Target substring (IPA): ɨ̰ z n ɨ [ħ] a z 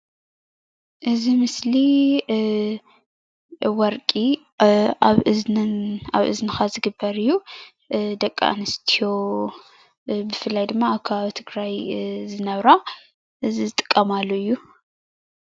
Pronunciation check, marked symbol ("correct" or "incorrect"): incorrect